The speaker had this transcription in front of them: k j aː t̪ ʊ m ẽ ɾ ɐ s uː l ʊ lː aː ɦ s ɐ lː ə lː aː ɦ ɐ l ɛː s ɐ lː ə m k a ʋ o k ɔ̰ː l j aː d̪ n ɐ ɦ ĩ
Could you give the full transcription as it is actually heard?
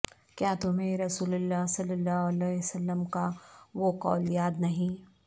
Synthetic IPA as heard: k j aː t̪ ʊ m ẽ ɾ ɐ s uː l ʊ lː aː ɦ s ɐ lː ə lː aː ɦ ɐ l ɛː s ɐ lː ə m k a ʋ o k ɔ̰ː l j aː d̪ n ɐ ɦ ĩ